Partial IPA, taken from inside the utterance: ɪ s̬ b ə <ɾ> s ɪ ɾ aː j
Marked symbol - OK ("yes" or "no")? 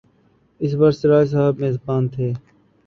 yes